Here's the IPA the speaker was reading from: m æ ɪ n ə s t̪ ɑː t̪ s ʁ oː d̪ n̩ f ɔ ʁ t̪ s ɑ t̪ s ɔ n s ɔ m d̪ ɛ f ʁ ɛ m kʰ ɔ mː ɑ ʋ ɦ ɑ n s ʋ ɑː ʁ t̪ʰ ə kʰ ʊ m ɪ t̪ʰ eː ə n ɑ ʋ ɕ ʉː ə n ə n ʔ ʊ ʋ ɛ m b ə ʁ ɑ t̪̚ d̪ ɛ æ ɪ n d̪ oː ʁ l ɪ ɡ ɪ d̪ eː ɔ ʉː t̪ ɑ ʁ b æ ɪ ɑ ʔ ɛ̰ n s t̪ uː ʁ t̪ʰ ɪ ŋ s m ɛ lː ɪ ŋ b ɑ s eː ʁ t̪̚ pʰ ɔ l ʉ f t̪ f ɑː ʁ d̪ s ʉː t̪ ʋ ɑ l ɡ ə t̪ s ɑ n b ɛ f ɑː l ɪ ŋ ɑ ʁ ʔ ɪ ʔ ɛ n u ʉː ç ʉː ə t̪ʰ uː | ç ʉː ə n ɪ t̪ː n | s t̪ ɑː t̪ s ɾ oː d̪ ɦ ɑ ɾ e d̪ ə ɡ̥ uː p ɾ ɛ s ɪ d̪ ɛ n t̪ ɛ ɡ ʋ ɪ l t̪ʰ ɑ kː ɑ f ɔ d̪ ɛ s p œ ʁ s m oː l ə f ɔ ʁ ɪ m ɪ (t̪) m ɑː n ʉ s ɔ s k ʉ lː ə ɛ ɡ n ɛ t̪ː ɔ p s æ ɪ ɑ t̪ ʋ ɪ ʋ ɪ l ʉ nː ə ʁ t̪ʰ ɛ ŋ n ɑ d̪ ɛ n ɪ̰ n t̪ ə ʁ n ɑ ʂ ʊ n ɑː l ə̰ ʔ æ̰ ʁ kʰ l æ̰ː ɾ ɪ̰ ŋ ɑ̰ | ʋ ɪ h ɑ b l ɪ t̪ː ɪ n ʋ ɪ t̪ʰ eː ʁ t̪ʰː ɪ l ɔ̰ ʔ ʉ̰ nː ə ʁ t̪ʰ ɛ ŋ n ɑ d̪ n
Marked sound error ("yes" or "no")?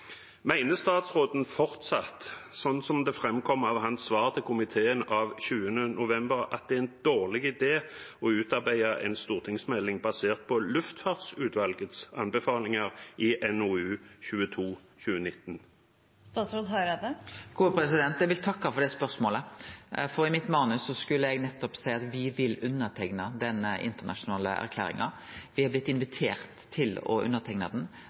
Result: no